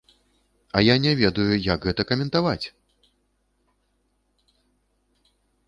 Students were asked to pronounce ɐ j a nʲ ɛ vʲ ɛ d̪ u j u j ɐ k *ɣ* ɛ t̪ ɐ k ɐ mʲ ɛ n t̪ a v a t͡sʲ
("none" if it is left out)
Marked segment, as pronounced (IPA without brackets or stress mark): ɣ